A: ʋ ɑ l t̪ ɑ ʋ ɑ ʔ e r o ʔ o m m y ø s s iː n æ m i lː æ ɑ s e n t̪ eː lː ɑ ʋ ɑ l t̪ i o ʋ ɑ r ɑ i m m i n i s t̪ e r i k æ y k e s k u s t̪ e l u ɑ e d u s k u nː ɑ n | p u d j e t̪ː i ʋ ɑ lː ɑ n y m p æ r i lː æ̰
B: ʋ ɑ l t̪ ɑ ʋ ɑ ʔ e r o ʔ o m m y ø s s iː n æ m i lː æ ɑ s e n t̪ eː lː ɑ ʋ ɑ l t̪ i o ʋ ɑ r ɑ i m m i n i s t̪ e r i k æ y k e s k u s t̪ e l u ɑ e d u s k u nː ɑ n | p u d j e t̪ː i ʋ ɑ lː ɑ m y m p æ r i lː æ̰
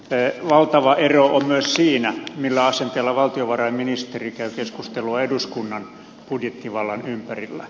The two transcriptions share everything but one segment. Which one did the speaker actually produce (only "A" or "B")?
A